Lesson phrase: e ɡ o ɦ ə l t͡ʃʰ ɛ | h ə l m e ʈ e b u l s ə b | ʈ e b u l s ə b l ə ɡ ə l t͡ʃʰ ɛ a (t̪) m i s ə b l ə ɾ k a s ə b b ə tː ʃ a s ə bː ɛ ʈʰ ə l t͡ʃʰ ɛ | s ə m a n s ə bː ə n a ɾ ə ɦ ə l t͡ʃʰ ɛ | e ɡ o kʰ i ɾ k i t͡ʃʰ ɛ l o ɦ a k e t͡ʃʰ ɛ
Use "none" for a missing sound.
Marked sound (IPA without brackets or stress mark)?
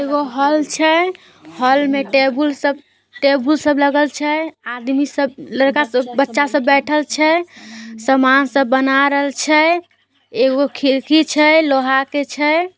d̪